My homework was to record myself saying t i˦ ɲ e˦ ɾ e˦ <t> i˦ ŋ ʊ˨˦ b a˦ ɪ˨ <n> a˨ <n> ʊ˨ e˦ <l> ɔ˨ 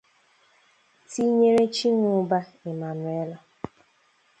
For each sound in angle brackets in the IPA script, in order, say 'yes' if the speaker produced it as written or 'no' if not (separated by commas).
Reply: no, no, yes, yes